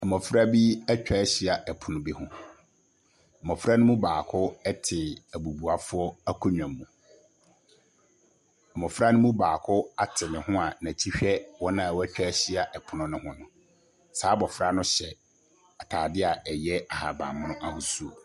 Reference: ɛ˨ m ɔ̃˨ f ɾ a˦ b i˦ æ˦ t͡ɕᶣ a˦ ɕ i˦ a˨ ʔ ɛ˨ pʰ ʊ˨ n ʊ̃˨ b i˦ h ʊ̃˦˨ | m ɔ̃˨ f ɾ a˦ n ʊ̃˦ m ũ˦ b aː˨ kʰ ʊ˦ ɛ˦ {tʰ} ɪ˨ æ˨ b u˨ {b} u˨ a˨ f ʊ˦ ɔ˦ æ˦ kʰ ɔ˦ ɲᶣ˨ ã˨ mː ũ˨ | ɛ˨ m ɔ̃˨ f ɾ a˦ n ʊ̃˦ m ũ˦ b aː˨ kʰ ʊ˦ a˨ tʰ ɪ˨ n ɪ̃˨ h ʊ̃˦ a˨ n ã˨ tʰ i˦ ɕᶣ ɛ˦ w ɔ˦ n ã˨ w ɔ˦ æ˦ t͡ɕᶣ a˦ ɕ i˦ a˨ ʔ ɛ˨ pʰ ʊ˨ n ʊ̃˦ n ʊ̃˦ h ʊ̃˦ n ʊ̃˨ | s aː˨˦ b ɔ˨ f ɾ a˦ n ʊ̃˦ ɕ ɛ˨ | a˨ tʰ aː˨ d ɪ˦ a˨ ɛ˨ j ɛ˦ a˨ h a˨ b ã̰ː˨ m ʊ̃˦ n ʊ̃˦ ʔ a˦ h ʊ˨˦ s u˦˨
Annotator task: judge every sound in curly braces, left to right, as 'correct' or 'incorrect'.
correct, correct

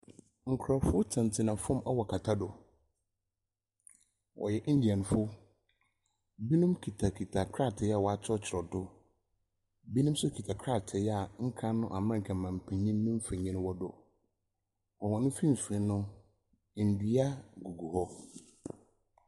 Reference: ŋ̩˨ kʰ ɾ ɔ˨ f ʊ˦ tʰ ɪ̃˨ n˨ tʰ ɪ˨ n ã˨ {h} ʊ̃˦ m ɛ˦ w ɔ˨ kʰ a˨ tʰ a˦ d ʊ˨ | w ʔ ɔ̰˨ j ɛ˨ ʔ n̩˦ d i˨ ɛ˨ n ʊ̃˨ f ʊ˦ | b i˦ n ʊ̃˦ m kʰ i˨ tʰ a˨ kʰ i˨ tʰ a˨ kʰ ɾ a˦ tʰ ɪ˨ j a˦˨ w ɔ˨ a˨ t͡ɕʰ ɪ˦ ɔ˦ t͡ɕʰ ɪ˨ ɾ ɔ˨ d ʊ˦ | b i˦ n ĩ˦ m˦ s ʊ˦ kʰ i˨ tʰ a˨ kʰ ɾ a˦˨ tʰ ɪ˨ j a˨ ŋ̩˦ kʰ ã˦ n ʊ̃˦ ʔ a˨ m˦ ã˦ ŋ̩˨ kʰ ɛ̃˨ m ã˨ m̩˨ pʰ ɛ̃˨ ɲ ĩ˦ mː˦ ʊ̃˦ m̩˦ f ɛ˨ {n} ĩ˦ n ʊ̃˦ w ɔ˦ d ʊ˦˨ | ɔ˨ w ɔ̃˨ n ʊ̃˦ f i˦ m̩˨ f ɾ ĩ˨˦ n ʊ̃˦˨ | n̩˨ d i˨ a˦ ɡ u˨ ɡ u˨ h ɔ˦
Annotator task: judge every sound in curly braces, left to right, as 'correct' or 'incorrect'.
incorrect: f, incorrect: ɲ

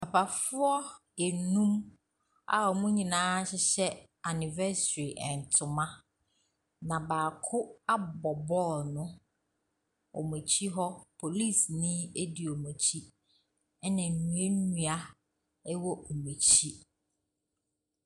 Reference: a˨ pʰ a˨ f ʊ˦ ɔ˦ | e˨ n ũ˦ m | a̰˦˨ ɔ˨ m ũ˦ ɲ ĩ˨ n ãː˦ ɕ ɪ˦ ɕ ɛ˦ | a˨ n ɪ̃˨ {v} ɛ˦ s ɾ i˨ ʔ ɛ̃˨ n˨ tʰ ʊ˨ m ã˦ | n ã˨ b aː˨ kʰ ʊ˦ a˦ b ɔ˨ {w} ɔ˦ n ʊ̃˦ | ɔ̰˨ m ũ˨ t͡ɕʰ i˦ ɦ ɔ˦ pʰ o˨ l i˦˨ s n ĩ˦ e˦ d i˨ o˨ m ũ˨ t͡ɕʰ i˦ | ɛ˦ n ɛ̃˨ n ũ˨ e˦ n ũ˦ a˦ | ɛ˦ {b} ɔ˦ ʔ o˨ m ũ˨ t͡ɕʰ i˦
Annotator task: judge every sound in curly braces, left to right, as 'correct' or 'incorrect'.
correct, incorrect: b, incorrect: w

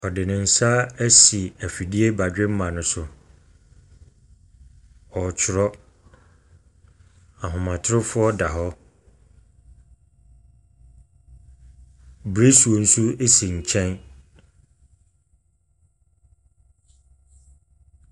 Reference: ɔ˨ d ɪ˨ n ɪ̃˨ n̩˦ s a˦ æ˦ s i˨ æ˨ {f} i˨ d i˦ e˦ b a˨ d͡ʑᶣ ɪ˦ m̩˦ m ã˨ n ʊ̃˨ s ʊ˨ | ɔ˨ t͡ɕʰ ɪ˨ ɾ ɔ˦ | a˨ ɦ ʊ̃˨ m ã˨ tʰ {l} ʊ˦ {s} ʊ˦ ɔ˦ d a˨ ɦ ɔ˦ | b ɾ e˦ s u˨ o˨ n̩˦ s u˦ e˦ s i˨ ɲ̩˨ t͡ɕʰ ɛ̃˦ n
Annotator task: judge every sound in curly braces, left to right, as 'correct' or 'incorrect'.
correct, incorrect: ɾ, incorrect: f

